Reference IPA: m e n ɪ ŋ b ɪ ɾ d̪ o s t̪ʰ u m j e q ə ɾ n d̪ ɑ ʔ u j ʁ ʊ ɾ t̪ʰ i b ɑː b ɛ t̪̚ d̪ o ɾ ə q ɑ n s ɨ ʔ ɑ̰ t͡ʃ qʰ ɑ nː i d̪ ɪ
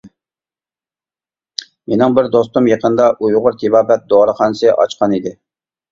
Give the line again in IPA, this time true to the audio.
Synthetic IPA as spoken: m e n ɪ ŋ b ɪ ɾ d̪ o s t̪ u m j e q ə n d̪ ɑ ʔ u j ʁ ʊ ɾ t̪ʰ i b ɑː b ɛ t̪̚ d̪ o ɾ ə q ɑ n s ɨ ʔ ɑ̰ t͡ʃ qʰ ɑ n i d̪ ɪ